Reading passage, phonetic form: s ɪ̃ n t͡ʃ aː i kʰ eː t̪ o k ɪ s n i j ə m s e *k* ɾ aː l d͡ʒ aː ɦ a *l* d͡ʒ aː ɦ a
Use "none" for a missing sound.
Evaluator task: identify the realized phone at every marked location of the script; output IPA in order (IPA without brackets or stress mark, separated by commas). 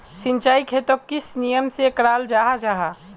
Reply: k, none